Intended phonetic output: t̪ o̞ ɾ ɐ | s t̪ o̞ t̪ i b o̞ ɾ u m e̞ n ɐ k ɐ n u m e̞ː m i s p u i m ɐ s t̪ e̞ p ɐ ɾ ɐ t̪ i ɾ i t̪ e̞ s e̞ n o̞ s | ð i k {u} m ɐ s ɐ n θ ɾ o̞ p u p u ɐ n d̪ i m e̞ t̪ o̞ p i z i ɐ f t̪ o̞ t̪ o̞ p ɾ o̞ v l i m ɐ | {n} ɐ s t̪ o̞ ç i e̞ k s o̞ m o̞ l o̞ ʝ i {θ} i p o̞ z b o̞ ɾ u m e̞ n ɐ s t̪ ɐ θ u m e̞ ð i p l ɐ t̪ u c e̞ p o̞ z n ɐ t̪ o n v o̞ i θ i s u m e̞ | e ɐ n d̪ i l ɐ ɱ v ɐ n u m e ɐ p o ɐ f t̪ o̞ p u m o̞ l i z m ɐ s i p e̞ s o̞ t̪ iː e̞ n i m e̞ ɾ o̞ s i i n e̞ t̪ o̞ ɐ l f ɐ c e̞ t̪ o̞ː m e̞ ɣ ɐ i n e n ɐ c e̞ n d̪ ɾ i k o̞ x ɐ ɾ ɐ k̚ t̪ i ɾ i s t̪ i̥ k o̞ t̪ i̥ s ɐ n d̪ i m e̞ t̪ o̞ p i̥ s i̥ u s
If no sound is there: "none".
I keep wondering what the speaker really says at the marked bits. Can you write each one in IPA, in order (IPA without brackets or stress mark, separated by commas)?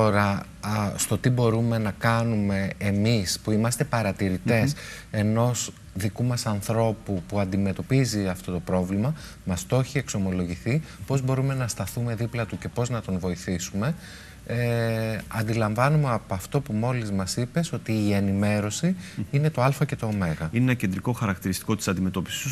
u, m, θ